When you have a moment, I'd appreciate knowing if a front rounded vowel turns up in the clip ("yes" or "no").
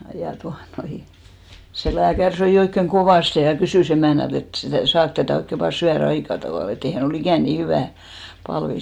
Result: yes